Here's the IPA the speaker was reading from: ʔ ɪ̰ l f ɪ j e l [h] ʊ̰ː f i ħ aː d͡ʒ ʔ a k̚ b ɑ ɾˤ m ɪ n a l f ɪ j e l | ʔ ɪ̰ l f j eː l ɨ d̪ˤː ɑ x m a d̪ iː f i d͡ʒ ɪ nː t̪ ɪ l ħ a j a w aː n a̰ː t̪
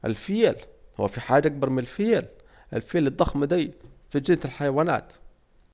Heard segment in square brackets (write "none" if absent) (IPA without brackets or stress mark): h